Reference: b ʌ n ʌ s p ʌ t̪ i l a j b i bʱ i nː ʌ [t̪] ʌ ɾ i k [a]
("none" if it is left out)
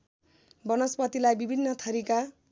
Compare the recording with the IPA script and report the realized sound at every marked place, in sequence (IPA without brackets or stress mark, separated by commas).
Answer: t̪ʰ, a